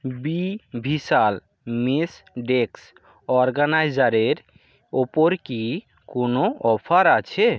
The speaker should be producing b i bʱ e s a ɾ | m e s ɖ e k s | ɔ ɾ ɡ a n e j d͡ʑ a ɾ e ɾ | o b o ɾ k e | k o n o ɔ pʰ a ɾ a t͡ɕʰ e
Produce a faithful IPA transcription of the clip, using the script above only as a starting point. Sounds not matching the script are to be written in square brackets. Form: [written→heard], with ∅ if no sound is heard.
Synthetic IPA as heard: b i bʱ [e→i] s a [ɾ→l] | m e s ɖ e k s | ɔ ɾ ɡ a n [e→a] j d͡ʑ a ɾ e ɾ | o [b→p] o ɾ k [e→i] | k o n o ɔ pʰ a ɾ a t͡ɕʰ e